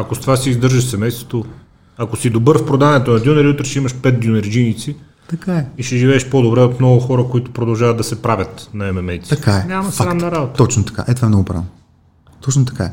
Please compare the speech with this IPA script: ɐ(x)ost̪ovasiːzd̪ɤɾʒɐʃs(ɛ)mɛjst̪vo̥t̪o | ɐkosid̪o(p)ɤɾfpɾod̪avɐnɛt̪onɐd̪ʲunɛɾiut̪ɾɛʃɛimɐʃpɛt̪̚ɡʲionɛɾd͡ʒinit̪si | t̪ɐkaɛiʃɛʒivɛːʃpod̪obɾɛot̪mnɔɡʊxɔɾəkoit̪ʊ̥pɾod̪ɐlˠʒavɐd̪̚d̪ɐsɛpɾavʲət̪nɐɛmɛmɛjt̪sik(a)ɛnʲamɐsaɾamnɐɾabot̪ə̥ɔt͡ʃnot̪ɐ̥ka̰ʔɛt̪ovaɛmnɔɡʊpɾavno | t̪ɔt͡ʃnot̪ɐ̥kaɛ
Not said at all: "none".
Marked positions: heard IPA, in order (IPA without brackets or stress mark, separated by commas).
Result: k, ɛ, b, a